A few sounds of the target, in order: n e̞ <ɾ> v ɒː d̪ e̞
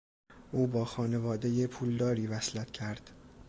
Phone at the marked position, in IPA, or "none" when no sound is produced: none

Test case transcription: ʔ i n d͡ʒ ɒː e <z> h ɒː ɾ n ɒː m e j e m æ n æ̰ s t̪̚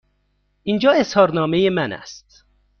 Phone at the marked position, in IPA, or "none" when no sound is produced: s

